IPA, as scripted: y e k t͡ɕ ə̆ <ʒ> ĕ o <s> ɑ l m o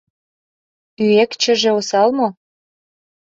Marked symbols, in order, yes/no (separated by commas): yes, yes